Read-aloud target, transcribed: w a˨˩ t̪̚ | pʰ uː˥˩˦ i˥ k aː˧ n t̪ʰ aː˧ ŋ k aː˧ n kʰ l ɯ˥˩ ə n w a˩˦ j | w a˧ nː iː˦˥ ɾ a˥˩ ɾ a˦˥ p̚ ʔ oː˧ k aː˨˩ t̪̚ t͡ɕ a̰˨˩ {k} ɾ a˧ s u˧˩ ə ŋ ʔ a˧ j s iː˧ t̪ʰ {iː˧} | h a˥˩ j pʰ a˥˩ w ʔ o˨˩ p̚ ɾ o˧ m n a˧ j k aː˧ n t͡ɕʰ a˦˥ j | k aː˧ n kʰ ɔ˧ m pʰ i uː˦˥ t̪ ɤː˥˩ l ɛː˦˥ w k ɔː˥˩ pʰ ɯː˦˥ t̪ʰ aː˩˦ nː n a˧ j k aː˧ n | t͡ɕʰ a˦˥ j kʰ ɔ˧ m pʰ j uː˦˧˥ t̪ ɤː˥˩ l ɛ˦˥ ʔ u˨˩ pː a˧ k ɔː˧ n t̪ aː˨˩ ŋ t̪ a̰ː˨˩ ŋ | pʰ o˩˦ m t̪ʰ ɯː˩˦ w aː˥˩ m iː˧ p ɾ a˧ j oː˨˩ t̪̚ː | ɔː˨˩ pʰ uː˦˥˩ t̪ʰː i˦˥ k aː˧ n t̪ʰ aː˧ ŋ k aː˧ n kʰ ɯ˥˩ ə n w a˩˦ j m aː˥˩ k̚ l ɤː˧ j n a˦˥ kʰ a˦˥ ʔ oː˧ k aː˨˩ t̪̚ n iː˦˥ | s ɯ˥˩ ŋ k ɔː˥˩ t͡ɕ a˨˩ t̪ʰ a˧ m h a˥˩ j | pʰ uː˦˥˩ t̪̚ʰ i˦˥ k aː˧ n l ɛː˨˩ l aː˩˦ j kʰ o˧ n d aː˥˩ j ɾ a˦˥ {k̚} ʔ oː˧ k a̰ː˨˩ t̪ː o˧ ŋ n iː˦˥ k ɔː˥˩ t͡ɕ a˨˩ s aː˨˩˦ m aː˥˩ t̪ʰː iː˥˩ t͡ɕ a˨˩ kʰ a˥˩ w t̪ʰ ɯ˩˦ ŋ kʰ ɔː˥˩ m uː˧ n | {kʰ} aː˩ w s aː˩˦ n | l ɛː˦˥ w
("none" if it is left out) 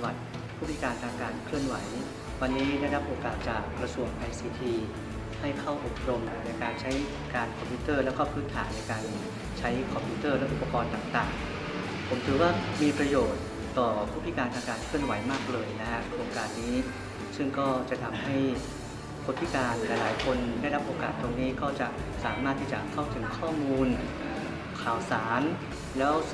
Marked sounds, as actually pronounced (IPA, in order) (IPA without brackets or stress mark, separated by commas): k, iː˧, p̚, kʰ